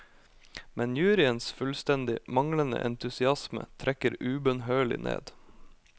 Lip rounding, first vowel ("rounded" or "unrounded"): unrounded